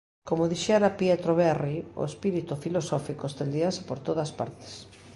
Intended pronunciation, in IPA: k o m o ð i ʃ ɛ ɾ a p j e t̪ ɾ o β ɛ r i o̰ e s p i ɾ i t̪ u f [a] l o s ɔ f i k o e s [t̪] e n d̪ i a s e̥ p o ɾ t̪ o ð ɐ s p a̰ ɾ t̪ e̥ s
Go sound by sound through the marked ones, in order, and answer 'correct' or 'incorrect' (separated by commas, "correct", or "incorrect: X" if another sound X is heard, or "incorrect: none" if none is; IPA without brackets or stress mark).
incorrect: i, correct